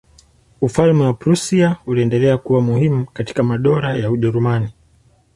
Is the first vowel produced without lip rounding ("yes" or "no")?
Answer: no